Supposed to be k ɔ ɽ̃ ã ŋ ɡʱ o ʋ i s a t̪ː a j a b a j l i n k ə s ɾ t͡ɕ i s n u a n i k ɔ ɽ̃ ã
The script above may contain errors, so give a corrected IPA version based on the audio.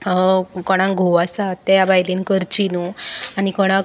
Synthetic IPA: k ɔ ɽ̃ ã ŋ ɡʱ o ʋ a s a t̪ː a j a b a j l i n k ə ɾ t͡ɕ i n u a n i k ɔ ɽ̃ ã